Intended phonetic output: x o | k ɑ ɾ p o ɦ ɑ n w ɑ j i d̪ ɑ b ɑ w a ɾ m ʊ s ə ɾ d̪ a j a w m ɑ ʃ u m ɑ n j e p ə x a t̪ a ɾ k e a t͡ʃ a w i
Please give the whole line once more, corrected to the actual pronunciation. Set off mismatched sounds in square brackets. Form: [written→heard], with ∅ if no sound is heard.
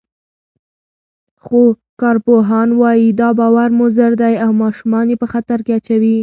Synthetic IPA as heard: x o | k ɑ ɾ p o ɦ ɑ n w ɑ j i d̪ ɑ b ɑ w a ɾ m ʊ [s→z] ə ɾ d̪ a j a w m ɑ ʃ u m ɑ n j e p ə x a t̪ a ɾ k e a t͡ʃ a w i